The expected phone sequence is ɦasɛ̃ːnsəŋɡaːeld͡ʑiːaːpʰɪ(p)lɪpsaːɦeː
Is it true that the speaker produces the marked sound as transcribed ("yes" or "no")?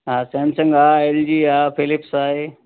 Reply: no